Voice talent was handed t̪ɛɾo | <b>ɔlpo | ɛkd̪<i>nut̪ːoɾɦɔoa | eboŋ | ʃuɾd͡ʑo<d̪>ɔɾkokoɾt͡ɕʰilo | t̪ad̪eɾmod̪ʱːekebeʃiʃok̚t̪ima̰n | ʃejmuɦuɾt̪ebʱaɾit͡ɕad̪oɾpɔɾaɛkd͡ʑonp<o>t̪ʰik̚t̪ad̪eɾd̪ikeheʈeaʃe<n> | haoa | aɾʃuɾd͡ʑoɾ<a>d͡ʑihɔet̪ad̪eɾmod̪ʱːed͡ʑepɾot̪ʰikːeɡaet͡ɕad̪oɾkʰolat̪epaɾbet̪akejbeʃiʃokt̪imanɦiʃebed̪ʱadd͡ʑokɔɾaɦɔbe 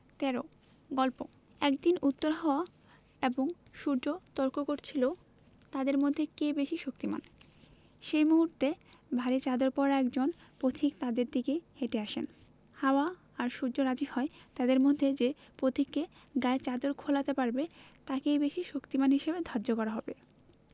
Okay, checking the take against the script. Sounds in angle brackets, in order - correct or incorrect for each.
incorrect, correct, incorrect, correct, correct, correct

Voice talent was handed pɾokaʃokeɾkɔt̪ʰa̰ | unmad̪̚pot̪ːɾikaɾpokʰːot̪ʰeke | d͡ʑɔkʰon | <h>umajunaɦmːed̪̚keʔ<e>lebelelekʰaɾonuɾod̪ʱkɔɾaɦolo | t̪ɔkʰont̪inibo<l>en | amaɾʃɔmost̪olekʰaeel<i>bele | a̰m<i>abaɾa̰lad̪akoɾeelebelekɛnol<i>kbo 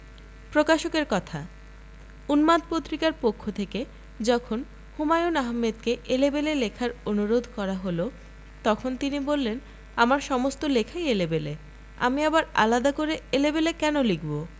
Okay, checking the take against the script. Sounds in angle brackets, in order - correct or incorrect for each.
correct, correct, incorrect, incorrect, correct, correct

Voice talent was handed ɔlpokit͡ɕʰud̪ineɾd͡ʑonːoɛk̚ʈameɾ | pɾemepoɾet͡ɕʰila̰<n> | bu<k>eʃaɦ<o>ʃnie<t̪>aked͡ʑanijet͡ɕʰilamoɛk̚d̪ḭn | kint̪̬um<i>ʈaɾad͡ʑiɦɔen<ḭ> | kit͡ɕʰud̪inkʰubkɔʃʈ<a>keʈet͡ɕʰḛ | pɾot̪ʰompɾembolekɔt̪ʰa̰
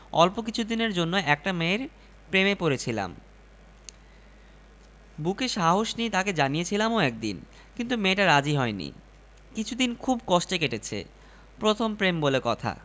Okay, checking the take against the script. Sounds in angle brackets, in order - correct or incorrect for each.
incorrect, correct, correct, correct, incorrect, correct, incorrect

